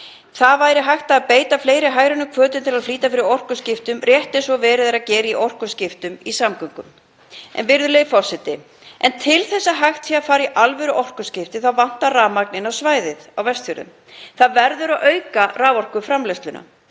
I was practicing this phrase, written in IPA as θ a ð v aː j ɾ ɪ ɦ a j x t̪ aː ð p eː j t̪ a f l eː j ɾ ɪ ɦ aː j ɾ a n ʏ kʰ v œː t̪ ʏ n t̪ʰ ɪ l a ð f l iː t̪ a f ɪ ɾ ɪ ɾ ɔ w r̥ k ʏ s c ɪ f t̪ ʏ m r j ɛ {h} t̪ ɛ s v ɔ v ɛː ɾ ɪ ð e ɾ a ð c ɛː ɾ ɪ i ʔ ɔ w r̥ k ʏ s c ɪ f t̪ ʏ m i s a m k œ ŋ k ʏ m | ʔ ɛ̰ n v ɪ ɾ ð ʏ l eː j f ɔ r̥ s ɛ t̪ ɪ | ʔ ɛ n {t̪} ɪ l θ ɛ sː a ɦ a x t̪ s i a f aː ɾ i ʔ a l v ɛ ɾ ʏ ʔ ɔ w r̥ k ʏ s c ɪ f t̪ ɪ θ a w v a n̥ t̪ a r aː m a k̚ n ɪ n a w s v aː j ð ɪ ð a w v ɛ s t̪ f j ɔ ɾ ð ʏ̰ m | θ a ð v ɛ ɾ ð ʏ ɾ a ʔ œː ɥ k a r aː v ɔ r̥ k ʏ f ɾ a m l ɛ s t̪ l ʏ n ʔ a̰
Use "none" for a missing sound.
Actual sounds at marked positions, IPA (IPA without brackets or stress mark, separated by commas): h, t̪ʰ